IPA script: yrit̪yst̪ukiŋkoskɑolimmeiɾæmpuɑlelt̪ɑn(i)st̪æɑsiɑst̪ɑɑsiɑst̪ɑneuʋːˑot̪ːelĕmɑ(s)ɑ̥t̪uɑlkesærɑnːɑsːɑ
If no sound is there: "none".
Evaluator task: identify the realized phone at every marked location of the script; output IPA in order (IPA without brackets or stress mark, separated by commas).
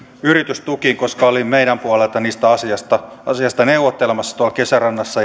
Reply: iː, sː